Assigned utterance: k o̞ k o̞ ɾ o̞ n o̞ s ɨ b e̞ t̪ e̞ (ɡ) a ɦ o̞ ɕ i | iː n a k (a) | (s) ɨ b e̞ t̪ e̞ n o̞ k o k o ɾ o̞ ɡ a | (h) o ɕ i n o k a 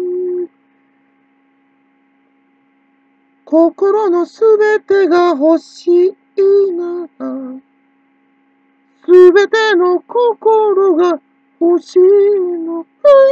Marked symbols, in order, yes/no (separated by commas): yes, yes, yes, yes